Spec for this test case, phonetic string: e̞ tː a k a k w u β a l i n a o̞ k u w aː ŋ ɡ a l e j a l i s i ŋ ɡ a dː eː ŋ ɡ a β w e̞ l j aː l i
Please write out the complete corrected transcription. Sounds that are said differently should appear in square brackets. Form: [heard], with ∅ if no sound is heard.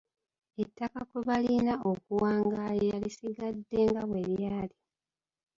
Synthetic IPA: e̞ tː a k a k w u β a l i n a o̞ k u w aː ŋ ɡ a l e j a l i s i [∅] ɡ a dː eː ŋ ɡ a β w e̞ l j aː l i